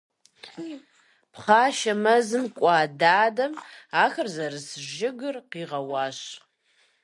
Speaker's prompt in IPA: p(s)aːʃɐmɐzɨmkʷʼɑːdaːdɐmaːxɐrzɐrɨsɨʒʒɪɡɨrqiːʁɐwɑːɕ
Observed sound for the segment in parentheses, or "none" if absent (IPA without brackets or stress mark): χ